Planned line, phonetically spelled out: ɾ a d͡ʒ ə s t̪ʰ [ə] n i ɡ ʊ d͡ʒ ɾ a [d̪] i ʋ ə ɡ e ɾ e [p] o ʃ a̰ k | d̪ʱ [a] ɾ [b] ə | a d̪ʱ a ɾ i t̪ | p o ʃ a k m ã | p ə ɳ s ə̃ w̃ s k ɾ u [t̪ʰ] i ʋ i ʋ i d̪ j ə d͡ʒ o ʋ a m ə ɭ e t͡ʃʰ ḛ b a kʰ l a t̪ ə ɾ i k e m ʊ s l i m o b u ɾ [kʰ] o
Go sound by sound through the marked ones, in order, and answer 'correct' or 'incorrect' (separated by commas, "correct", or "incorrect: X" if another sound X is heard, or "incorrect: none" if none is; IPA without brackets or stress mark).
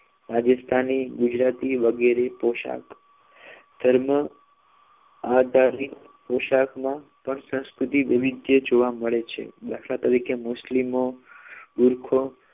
incorrect: a, incorrect: t̪, correct, incorrect: ə, incorrect: m, incorrect: t̪, correct